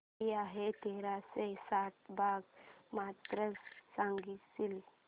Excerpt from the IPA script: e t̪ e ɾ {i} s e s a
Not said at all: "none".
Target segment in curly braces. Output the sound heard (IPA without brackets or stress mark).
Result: a